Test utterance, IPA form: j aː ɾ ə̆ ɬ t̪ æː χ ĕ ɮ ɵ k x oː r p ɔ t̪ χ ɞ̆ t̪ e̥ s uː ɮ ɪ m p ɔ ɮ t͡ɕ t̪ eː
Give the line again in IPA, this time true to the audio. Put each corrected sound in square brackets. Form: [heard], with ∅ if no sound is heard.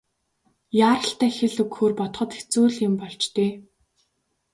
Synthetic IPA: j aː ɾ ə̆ ɬ t̪ æː [x] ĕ ɮ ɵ k x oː r p ɔ t̪ χ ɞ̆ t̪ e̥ [t͡s] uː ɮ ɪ m p ɔ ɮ t͡ɕ t̪ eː